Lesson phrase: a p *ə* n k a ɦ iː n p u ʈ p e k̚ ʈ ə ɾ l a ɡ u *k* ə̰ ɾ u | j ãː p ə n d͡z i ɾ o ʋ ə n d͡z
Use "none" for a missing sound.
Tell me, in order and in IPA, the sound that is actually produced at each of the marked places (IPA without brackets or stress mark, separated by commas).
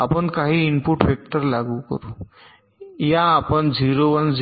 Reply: ə, k